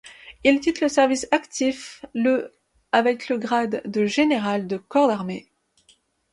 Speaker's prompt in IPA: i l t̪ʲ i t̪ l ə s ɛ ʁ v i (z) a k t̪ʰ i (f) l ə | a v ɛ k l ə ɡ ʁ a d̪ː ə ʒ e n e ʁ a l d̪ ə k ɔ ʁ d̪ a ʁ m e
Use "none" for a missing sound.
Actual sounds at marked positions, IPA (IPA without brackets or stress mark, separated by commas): s, f